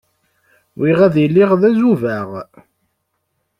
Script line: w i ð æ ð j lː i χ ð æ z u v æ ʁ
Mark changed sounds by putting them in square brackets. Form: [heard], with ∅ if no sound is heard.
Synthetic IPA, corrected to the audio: w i [ʁ] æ ð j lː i [ʁ] ð æ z u v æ ʁ